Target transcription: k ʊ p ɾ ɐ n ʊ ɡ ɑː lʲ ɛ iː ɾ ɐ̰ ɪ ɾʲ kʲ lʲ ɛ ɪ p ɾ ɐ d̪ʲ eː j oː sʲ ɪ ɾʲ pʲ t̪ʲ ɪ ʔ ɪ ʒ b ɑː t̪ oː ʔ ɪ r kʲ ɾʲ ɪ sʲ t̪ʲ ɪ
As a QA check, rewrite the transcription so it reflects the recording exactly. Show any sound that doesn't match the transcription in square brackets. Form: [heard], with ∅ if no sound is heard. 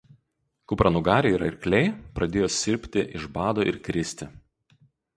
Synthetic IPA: k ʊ p ɾ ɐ n ʊ ɡ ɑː [ɾʲ] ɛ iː ɾ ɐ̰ ɪ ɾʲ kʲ lʲ ɛ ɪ p ɾ ɐ d̪ʲ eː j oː sʲ ɪ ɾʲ pʲ t̪ʲ ɪ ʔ ɪ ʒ b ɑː [d̪] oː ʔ ɪ [ɾ] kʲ ɾʲ ɪ sʲ t̪ʲ ɪ